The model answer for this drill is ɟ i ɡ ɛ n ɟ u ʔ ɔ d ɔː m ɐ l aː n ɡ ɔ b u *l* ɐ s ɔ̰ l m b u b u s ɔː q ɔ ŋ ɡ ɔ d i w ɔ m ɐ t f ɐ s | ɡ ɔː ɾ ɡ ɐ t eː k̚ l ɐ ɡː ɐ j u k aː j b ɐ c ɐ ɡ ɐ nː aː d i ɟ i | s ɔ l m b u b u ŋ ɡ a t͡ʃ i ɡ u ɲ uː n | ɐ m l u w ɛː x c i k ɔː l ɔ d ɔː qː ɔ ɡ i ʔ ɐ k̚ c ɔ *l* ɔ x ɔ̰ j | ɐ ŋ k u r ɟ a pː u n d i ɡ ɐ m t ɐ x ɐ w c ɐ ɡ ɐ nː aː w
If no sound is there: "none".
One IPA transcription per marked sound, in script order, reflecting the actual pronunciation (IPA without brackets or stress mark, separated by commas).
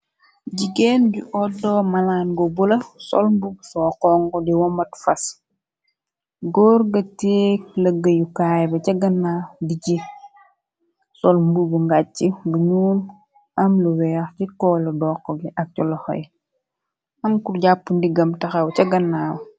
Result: l, l